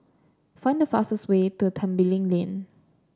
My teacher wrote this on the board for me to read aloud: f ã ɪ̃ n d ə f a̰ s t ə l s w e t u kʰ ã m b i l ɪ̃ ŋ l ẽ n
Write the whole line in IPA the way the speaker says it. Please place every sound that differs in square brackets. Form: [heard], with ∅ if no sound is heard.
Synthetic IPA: f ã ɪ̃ n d ə f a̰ s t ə [∅] s w e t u [tʰ] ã m b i l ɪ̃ ŋ l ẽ n